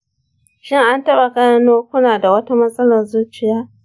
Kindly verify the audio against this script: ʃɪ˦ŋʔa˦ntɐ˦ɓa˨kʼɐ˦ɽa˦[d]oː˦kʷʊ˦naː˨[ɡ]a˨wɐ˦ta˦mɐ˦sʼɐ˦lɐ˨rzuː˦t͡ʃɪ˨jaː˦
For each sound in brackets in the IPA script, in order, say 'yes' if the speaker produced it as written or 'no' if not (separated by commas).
no, no